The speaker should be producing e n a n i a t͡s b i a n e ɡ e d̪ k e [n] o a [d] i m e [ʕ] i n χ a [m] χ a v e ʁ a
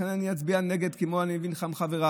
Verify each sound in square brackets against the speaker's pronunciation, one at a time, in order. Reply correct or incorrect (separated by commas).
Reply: incorrect, incorrect, incorrect, correct